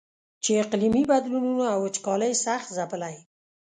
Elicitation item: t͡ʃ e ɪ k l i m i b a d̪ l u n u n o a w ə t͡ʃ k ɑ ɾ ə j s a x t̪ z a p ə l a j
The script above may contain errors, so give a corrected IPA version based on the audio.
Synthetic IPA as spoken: t͡ʃ e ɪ q l i m i b a d̪ l u n u n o a w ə t͡ʃ k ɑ l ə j s a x t̪ z a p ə l a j